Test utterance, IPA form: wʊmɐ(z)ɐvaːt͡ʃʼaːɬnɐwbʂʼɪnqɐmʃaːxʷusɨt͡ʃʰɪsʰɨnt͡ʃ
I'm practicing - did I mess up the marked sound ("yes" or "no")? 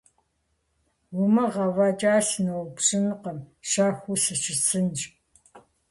yes